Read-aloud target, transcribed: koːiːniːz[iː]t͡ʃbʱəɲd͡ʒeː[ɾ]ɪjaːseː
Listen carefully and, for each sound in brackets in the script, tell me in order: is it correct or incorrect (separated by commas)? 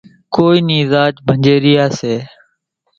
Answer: incorrect, correct